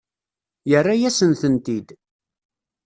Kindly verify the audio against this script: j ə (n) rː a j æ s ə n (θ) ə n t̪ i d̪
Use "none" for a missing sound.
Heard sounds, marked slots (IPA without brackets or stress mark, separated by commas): none, θ